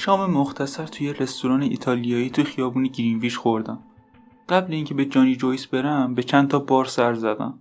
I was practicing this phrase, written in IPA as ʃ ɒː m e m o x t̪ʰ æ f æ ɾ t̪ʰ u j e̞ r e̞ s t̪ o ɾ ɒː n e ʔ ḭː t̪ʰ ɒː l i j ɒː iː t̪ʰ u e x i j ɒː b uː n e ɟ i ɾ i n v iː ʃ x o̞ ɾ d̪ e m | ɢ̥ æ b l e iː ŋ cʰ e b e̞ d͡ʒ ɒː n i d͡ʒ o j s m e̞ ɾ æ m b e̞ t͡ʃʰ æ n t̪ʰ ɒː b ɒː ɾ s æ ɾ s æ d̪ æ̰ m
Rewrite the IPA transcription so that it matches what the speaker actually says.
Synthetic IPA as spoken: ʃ ɒː m e m o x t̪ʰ æ s æ ɾ t̪ʰ u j e̞ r e̞ s t̪ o ɾ ɒː n e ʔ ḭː t̪ʰ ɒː l i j ɒː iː t̪ʰ u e x i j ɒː b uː n e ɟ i ɾ i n v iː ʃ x o̞ ɾ d̪ æ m | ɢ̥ æ b l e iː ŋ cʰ e b e̞ d͡ʒ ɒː n i d͡ʒ o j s b e̞ ɾ æ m b e̞ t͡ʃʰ æ n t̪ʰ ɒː b ɒː ɾ s æ ɾ z æ d̪ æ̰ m